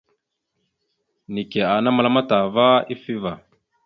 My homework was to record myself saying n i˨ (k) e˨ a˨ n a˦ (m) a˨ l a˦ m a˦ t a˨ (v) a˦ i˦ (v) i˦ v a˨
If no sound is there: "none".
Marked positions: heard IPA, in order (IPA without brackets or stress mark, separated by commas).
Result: k, m, v, f